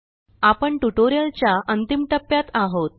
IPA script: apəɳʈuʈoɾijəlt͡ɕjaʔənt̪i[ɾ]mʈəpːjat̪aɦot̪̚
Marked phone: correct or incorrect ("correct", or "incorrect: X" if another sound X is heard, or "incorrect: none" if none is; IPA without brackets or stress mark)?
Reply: incorrect: none